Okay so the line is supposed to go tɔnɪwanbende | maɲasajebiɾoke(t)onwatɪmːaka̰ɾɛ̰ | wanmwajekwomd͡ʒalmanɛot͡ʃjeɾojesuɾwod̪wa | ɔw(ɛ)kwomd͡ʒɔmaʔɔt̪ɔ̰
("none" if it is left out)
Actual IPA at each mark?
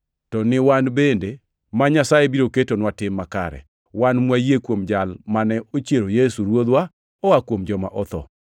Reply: t, a

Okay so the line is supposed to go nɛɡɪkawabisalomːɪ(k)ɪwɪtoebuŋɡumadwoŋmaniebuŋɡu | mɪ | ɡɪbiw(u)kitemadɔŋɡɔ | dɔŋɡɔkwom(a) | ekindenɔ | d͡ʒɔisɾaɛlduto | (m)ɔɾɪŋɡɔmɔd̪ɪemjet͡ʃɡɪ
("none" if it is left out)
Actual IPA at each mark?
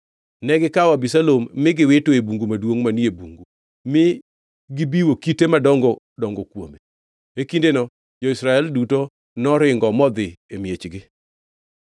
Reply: ɡ, o, e, n

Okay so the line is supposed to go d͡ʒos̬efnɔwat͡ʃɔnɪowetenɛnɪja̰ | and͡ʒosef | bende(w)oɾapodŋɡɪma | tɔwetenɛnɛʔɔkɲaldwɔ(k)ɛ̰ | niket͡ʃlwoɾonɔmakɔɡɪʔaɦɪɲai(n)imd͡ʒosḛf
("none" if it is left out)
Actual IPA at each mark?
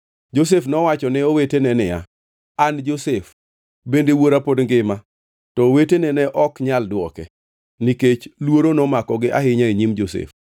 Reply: w, k, ɲ

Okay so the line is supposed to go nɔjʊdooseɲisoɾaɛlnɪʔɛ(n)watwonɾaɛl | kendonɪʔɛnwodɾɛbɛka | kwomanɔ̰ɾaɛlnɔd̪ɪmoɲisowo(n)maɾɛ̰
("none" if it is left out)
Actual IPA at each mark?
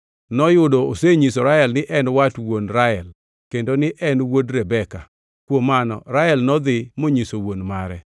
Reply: n, n

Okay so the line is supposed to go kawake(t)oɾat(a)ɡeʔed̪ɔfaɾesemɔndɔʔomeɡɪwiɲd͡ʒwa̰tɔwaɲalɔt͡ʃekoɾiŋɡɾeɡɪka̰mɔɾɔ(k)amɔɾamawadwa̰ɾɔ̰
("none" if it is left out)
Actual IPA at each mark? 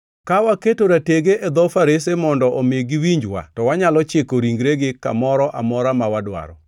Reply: t, e, ʔ

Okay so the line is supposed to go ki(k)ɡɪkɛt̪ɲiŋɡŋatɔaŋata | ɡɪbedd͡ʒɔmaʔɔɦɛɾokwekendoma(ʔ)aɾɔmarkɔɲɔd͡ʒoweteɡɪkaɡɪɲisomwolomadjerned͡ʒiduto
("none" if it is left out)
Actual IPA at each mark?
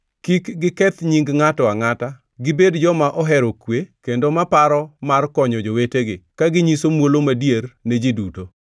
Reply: k, p

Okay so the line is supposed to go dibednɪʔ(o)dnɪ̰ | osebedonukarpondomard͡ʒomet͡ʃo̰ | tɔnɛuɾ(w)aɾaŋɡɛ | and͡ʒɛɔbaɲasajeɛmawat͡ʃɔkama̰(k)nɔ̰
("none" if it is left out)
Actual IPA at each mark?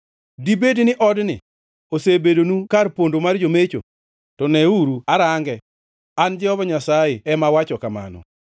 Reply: ɔ, u, none

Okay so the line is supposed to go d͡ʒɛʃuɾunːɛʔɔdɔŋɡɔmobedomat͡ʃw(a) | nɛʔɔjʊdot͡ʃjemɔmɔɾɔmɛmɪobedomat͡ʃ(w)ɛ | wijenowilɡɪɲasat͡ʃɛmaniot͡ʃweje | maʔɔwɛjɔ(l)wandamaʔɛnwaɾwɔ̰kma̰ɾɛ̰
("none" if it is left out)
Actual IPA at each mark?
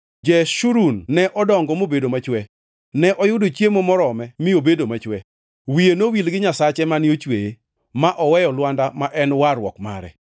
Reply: ɛ, w, l

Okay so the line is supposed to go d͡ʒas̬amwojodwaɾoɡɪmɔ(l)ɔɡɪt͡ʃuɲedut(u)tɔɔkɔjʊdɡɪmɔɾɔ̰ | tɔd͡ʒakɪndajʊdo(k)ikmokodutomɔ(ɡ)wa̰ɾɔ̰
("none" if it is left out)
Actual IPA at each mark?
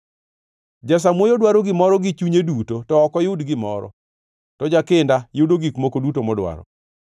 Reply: ɾ, o, ɡ, d

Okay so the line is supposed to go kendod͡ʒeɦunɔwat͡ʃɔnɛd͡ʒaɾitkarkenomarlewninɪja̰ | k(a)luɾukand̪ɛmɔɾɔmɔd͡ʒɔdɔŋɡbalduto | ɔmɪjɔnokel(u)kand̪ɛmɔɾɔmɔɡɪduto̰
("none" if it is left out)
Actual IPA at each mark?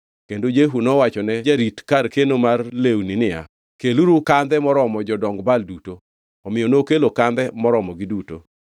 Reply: e, o

